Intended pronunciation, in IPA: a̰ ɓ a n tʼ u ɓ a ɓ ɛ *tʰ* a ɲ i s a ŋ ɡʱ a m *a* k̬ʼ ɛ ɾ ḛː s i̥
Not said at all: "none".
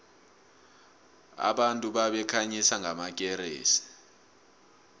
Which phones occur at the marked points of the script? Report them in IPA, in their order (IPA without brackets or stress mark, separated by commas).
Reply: kʰ, a